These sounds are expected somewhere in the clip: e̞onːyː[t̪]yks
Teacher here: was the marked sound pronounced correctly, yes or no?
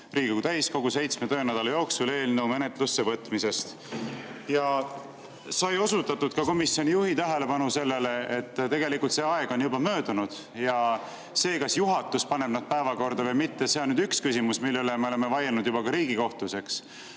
no